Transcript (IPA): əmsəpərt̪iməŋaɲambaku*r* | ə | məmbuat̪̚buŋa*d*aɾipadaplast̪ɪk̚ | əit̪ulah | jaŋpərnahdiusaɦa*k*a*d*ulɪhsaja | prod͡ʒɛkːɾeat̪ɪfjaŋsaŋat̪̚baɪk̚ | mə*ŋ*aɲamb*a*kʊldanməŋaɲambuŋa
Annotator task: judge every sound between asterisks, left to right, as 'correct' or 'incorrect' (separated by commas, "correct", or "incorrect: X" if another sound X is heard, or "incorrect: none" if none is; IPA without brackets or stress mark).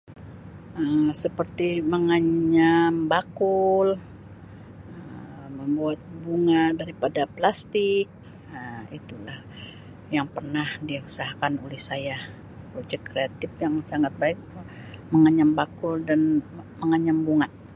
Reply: incorrect: l, correct, correct, incorrect: n, correct, correct